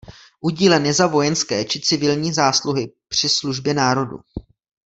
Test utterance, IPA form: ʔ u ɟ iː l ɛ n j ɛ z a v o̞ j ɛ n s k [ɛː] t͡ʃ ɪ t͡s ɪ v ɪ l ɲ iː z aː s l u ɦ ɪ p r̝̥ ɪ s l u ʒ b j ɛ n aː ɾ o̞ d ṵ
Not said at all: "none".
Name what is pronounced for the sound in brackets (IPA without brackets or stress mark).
ɛː